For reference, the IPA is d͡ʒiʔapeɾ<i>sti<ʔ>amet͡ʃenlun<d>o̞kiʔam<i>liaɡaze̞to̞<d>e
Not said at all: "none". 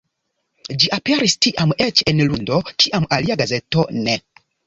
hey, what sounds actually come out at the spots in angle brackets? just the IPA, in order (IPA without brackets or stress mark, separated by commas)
i, ʔ, d, a, n